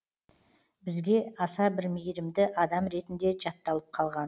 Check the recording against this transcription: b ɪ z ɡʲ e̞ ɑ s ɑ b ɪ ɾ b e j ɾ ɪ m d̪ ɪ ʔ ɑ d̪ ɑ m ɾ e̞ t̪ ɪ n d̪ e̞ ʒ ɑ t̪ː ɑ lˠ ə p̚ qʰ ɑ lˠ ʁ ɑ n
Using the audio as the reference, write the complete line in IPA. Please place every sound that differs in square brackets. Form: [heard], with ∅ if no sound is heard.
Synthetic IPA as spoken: b ɪ z ɡʲ e̞ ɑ s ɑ b ɪ ɾ [m] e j ɾ ɪ m d̪ ɪ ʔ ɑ d̪ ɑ m ɾ e̞ t̪ ɪ n d̪ e̞ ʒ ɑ t̪ː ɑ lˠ ə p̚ qʰ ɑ lˠ ʁ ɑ n